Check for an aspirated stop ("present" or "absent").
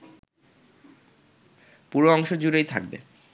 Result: present